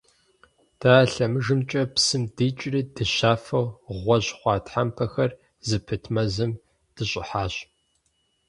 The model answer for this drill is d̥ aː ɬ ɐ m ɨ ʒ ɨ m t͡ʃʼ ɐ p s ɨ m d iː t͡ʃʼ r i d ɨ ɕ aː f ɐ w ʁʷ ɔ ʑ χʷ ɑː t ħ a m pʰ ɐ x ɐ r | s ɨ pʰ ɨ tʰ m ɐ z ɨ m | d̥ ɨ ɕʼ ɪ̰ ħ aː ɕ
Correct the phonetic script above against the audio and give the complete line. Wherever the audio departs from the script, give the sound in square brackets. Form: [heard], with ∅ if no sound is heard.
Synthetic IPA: d̥ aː ɬ ɐ m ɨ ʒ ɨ m t͡ʃʼ ɐ p s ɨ m d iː t͡ʃʼ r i d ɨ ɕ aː f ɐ w ʁʷ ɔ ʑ χʷ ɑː t ħ a m pʰ ɐ x ɐ r | [z] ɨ pʰ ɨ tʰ m ɐ z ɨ m | d̥ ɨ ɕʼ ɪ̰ ħ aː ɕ